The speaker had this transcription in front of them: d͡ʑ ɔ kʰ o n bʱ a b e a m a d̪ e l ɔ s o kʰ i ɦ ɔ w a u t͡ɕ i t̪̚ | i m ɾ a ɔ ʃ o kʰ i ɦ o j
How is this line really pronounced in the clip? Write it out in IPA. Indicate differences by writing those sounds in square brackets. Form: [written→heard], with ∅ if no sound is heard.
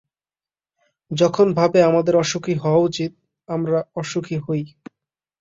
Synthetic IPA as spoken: d͡ʑ ɔ kʰ o n bʱ a b e a m a d̪ e [l→ɾ] ɔ [s→ʃ] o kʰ i ɦ ɔ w a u t͡ɕ i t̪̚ | [i→a] m ɾ a ɔ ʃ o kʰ i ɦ o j